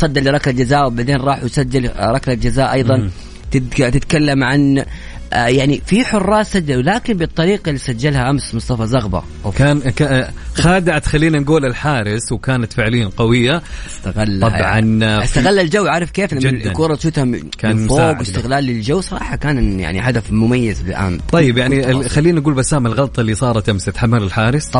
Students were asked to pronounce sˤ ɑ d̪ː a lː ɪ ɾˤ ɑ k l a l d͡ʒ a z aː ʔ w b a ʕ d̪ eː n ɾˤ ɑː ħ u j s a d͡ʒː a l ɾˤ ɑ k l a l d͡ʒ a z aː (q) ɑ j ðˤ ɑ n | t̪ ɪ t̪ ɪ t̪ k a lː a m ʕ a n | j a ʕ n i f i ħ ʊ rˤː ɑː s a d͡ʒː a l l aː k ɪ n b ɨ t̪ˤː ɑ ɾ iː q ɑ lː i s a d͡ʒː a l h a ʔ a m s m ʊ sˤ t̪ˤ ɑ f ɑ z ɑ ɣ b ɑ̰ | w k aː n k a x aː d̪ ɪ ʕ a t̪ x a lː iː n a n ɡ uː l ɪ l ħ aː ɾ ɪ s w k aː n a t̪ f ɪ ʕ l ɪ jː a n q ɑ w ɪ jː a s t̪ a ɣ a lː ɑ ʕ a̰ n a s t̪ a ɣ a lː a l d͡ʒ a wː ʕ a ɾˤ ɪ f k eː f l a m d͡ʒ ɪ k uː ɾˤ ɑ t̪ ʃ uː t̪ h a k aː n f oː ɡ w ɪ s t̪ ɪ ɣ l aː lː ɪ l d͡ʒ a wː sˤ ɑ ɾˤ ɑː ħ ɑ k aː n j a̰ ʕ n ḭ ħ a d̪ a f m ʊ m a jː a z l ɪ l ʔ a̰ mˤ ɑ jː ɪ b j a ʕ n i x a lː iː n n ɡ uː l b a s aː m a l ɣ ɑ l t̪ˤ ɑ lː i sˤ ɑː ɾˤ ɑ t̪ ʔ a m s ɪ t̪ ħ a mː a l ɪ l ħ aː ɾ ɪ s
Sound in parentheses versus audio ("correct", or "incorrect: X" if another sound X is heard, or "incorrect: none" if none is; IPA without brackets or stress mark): incorrect: ʔ